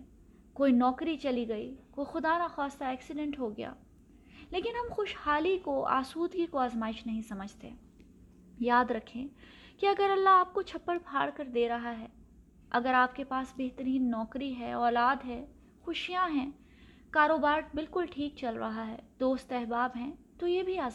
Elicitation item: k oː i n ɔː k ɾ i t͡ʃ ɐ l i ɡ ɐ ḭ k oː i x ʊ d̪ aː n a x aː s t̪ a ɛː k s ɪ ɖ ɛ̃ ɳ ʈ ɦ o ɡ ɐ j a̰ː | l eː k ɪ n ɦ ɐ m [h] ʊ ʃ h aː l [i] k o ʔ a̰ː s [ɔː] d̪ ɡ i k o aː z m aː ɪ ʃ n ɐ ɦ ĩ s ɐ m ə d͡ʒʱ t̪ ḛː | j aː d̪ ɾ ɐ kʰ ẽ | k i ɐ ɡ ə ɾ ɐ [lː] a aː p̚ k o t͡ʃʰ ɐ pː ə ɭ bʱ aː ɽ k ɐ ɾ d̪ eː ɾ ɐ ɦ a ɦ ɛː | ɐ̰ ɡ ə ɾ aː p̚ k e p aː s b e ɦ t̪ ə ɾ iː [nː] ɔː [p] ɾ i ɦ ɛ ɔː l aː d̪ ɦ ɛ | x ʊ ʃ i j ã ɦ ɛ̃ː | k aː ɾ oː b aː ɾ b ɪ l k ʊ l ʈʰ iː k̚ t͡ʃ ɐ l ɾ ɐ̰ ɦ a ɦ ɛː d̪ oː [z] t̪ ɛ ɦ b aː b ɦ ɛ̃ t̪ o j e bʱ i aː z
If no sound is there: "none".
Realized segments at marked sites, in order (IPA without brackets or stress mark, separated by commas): x, i, uː, lː, nː, k, s